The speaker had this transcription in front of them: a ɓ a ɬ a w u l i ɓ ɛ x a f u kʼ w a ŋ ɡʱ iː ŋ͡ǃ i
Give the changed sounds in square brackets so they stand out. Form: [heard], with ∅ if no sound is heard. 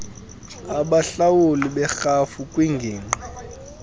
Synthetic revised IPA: a ɓ a ɬ a w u l i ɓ ɛ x a f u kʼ w [i] ŋ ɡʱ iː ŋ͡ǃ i